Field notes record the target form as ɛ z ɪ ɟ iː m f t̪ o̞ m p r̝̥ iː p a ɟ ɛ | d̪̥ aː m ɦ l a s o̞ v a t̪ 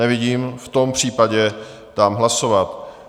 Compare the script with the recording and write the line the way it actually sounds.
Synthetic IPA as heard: ɛ v ɪ ɟ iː m f t̪ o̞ m p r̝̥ iː p a ɟ ɛ | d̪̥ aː m ɦ l a s o̞ v a t̪